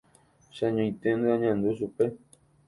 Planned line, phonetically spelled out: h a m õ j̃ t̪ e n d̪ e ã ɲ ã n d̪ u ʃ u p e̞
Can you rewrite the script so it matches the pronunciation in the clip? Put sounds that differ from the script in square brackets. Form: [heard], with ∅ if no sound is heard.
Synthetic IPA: [ʃ] a [ɲ] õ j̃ t̪ e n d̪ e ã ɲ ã n d̪ u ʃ u p e̞